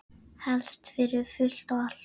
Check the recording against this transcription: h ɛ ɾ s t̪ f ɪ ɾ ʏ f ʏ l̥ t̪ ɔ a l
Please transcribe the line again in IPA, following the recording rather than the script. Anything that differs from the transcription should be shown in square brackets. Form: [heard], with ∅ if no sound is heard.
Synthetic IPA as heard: h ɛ [l] s t̪ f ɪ ɾ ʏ f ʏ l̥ t̪ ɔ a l